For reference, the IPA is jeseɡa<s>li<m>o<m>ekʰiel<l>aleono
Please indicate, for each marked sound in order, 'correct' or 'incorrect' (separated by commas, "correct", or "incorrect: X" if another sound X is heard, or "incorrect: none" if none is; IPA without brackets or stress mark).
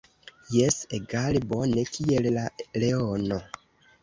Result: incorrect: none, incorrect: b, incorrect: n, correct